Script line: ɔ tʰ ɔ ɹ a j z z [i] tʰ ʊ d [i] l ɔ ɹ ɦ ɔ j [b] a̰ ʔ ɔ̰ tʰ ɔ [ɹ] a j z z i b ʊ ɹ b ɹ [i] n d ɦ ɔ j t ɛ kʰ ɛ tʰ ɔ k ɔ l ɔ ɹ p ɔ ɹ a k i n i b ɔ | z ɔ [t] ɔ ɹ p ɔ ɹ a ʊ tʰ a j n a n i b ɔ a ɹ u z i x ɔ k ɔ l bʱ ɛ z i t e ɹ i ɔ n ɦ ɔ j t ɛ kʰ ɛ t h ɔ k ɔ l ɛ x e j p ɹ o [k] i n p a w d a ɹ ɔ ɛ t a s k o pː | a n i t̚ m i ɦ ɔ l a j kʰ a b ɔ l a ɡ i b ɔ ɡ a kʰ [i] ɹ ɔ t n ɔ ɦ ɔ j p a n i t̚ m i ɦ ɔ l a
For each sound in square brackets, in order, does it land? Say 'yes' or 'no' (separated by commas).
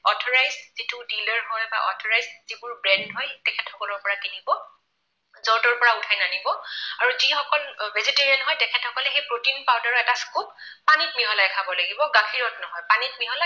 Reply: yes, yes, yes, yes, no, yes, no, yes